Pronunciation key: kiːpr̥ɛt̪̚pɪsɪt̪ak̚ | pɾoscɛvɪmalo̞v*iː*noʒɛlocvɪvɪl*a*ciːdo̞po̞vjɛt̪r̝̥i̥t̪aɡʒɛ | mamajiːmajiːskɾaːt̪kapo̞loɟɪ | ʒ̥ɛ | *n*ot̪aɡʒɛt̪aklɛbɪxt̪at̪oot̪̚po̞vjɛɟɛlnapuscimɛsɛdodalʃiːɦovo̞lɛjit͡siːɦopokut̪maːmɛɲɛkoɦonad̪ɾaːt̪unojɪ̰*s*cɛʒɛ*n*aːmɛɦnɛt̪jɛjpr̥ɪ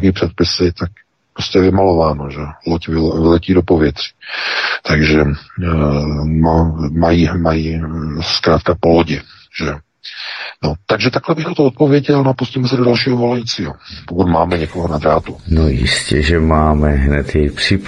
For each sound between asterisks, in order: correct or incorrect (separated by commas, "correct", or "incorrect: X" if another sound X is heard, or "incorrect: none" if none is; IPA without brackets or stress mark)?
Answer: incorrect: aː, incorrect: ɛ, correct, correct, incorrect: m